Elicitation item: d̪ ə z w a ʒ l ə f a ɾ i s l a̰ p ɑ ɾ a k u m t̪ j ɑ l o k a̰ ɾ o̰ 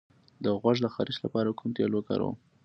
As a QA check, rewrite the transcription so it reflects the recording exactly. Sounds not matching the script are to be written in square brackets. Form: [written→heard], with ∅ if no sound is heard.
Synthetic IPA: d̪ ə [z→ɣ] w a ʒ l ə [f→x] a ɾ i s l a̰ p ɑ ɾ a k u m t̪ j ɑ l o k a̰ ɾ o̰